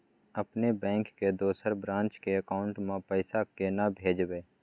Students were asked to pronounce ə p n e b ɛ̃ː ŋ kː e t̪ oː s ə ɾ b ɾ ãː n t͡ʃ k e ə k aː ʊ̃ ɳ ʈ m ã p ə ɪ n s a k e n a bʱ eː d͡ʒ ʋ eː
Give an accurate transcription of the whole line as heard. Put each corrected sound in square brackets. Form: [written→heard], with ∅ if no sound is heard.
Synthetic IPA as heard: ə p n e b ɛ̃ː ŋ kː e [t̪→d̪] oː s ə ɾ b ɾ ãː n t͡ʃ k e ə k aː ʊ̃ ɳ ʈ m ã p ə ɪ [n→∅] s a k e n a bʱ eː d͡ʒ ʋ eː